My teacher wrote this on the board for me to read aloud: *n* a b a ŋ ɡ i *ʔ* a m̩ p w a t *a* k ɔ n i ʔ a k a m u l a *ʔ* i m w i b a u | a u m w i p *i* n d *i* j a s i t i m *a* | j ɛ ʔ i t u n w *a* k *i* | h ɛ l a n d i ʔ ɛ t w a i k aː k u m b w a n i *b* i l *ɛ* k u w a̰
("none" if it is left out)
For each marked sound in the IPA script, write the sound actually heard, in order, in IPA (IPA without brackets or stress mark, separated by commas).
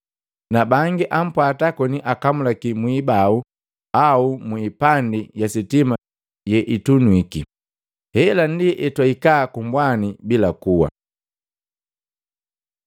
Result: n, ʔ, a, k, a, i, a, i, i, b, a